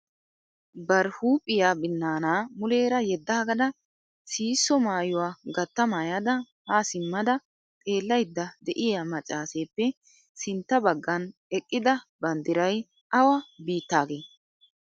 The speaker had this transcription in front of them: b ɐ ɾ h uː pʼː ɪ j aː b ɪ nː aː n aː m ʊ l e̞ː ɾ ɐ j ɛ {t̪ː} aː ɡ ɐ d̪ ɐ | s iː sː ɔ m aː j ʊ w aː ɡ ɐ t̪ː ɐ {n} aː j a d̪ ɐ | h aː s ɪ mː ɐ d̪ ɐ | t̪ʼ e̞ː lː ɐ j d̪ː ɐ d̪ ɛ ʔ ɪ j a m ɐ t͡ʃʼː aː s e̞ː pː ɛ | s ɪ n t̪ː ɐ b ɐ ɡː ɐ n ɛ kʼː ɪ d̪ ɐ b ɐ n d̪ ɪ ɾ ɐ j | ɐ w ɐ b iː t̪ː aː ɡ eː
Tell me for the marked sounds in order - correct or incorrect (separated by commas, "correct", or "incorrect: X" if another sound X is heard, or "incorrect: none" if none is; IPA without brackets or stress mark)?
incorrect: d̪ː, incorrect: m